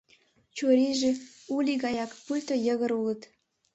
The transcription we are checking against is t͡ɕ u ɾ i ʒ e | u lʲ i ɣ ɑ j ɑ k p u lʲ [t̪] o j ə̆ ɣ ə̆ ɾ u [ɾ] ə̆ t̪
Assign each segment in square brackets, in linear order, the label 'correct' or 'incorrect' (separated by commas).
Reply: correct, incorrect